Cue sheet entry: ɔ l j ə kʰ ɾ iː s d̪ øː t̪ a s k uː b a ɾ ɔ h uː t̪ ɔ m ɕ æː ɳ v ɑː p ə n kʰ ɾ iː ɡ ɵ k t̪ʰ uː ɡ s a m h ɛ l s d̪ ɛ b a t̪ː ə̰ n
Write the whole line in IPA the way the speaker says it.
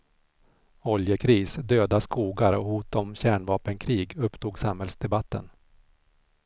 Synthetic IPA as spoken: ɔ l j ə kʰ ɾ iː s d̪ øː d̪ a s k uː ɡ a ɾ ɔ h uː t̪ ɔ m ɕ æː ɳ v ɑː p ə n kʰ ɾ iː ɡ ɵ p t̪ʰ uː ɡ s a m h ɛ l s d̪ ɛ b a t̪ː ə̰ n